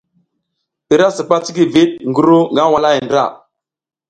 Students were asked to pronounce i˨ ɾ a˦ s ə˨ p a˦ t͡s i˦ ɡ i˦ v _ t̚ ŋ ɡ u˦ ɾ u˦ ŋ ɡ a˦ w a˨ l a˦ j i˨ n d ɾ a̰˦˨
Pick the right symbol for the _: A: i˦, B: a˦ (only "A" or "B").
A